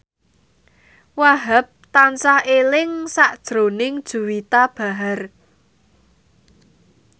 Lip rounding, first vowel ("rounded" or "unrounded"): unrounded